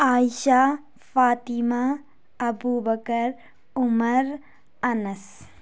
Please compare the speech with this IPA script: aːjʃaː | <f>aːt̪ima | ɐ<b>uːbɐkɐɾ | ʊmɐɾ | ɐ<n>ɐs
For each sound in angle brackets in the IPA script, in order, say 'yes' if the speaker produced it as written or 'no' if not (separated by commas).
yes, yes, yes